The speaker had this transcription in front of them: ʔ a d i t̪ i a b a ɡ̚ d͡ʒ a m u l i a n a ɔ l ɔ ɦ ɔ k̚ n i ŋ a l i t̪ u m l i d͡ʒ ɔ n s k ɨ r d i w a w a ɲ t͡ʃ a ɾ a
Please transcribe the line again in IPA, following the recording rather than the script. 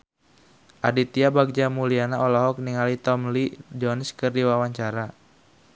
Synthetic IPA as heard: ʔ a d i t̪ i a b a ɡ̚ d͡ʒ a m u l i a n a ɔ l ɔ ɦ ɔ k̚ n i ŋ a l i t̪ ɔ m l i d͡ʒ ɔ n s k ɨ r d i w a w a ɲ t͡ʃ a ɾ a